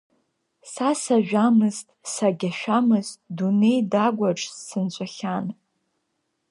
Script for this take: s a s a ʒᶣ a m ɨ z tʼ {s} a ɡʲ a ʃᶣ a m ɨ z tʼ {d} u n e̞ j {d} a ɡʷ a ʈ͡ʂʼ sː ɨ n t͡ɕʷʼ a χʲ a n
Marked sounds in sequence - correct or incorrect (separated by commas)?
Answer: correct, correct, correct